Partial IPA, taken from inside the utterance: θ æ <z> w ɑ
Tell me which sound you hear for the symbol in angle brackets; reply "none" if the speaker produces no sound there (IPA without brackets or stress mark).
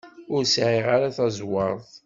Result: z